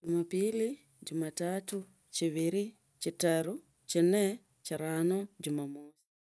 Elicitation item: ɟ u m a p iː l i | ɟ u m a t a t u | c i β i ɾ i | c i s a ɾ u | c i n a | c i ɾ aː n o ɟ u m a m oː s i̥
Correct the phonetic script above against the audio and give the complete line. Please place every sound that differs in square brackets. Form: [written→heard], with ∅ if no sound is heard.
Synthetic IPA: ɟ u m a p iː l i | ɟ u m a t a t u | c i β i ɾ i | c i [s→t] a ɾ u | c i n [a→e] | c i ɾ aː n o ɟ u m a m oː s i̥